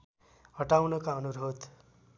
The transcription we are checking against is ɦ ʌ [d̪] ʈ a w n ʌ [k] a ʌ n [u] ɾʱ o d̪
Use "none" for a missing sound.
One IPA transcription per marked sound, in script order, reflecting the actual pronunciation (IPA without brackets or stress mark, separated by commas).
none, k, u